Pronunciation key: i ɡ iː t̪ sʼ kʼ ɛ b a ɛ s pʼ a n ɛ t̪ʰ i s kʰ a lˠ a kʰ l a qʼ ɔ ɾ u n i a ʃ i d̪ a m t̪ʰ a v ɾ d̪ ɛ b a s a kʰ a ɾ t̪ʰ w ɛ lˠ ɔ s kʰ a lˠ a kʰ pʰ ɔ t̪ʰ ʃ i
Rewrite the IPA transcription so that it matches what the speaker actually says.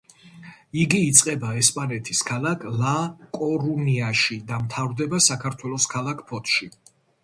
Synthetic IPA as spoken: i ɡ iː t̪ sʼ qʼ ɛ b a ɛ s pʼ a n ɛ t̪ʰ i s kʰ a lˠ a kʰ l a kʼ ɔ ɾ u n i a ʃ i d̪ a m t̪ʰ a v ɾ d̪ ɛ b a s a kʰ a ɾ t̪ʰ w ɛ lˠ ɔ s kʰ a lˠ a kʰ pʰ ɔ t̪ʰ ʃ i

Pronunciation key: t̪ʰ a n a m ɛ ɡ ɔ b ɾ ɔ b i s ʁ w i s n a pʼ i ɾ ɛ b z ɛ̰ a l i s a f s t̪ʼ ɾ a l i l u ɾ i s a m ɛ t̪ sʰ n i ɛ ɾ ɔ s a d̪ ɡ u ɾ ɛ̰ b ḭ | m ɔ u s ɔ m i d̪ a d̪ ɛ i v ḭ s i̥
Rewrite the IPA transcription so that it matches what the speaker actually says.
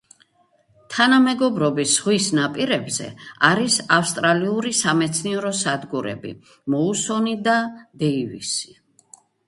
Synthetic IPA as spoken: t̪ʰ a n a m ɛ ɡ ɔ b ɾ ɔ b i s ʁ w i s n a pʼ i ɾ ɛ b z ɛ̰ a ɾ i s a f s t̪ʼ ɾ a l i u ɾ i s a m ɛ t̪ sʰ n i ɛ ɾ ɔ s a d̪ ɡ u ɾ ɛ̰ b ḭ | m ɔ u s ɔ n i d̪ a d̪ ɛ i v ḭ s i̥

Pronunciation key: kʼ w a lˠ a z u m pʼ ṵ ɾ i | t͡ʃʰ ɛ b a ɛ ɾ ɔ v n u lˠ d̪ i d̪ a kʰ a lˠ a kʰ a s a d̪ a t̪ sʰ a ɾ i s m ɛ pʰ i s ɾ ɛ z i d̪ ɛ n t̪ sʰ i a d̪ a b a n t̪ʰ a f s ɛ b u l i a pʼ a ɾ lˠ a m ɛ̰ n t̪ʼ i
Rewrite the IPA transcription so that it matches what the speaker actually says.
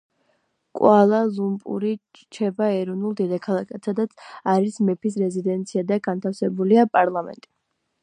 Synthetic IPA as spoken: kʼ w a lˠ a z u m pʼ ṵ ɾ i | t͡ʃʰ ɛ b a ɛ ɾ ɔ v n u lˠ d̪ i d̪ a kʰ a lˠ a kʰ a s a d̪ a t̪ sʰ a ɾ i s m ɛ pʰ i s ɾ ɛ z i d̪ ɛ n t̪ sʰ i a d̪ a ɡ a n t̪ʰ a f s ɛ b u l i a pʼ a ɾ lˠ a m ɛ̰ n t̪ʼ i

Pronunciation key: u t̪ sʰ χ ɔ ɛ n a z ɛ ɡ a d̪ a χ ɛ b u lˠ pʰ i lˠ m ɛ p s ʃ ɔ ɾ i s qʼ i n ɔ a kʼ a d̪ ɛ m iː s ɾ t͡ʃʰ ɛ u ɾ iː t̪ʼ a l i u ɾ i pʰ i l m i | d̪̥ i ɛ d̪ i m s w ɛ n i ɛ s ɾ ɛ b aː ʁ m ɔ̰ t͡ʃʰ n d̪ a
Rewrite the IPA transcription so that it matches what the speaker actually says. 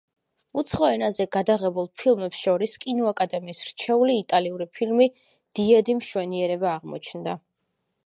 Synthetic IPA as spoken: u t̪ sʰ χ ɔ ɛ n a z ɛ ɡ a d̪ a ʁ ɛ b u lˠ pʰ i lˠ m ɛ p s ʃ ɔ ɾ i s kʼ i n ɔ a kʼ a d̪ ɛ m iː s ɾ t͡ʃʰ ɛ u l iː t̪ʼ a l i u ɾ i pʰ i l m i | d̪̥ i ɛ d̪ i m ʃ w ɛ n i ɛ ɾ ɛ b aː ʁ m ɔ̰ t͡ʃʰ n d̪ a

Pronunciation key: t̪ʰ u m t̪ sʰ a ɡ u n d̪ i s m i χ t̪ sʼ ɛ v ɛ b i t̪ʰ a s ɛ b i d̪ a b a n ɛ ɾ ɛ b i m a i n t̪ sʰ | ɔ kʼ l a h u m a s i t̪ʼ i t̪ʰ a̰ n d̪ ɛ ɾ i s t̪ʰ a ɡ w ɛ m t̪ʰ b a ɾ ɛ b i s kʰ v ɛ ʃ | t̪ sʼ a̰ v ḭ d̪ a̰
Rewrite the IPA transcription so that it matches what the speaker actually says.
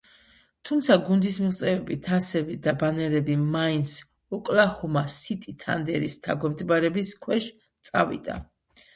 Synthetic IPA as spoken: t̪ʰ u m t̪ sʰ a ɡ u n d̪ i s m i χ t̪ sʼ ɛ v ɛ b i t̪ʰ a s ɛ b i d̪ a b a n ɛ ɾ ɛ b i m a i n t̪ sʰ | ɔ kʼ l a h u m a s i t̪ʼ i t̪ʰ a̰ n d̪ ɛ ɾ i s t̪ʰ a ɡ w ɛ m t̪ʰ b a ɾ ɛ b i s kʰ w ɛ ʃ | t̪ sʼ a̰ v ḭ d̪ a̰

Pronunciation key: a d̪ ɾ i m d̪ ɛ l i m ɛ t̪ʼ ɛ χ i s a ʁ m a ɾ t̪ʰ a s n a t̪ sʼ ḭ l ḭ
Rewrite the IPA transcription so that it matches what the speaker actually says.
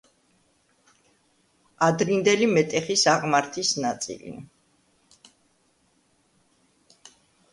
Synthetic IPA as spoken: a d̪ ɾ i n d̪ ɛ l i m ɛ t̪ʼ ɛ χ i s a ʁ m a ɾ t̪ʰ i s n a t̪ sʼ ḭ l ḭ

